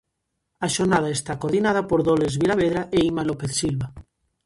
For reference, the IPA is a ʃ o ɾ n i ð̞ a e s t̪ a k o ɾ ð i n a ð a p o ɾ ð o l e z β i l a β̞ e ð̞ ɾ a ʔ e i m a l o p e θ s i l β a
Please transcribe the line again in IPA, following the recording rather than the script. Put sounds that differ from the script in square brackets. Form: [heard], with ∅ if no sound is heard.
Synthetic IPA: a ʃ o ɾ n [a] ð̞ a e s t̪ a k o ɾ ð i n a ð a p o ɾ ð o l e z β i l a β̞ e ð̞ ɾ a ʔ e i m a l o p e θ s i l β a